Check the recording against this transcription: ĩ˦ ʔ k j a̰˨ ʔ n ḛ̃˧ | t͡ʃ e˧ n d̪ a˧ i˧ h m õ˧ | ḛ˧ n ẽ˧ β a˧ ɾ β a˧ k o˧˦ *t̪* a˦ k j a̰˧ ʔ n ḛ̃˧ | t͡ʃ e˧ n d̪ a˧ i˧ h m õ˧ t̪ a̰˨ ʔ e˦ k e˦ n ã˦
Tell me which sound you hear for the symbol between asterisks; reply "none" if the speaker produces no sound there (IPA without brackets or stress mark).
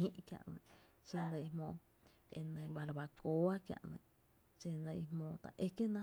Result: none